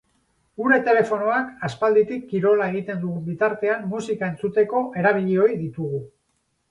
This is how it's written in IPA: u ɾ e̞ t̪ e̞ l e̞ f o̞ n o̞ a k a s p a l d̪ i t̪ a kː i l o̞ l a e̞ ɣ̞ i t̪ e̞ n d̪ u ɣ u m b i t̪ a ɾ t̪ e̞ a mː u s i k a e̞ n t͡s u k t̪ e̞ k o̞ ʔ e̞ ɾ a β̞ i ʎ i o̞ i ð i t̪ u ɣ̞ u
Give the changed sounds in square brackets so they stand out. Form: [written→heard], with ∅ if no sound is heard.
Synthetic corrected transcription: u ɾ e̞ t̪ e̞ l e̞ f o̞ n o̞ a k a s p a l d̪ i t̪ [a→i] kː i [l→ɾ] o̞ l a e̞ ɣ̞ i t̪ e̞ n d̪ u ɣ u m b i t̪ a ɾ t̪ e̞ a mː u s i k a e̞ n t͡s u [k→∅] t̪ e̞ k o̞ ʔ e̞ ɾ a β̞ i ʎ i o̞ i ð i t̪ u ɣ̞ u